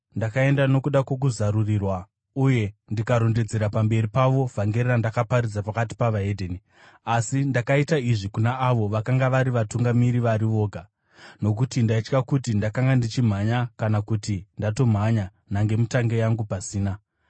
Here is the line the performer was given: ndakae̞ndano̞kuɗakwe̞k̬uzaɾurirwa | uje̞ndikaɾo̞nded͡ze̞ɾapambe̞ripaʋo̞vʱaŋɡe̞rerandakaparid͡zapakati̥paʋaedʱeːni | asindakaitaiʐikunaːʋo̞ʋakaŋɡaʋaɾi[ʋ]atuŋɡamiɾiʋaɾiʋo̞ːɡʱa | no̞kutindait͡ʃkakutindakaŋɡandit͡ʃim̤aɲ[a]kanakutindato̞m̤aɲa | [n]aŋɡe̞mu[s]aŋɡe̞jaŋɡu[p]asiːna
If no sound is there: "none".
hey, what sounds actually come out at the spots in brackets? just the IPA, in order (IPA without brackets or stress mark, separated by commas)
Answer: ʋ, a, n, t, p